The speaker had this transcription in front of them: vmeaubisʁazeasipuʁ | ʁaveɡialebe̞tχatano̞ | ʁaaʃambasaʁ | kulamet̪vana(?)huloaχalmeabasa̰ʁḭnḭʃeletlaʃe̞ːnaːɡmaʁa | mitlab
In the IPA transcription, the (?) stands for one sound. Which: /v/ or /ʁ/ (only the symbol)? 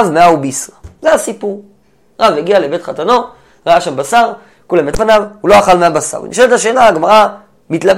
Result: v